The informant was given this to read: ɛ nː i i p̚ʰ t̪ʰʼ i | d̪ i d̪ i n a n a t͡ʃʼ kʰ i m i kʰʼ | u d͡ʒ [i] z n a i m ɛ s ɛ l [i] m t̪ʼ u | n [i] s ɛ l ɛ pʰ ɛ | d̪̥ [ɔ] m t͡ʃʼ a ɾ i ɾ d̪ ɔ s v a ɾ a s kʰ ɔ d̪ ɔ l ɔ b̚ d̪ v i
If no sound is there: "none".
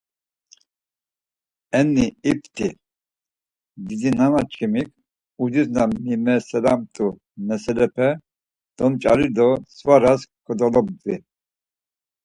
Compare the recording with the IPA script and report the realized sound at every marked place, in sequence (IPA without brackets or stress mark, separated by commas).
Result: i, a, ɛ, ɔ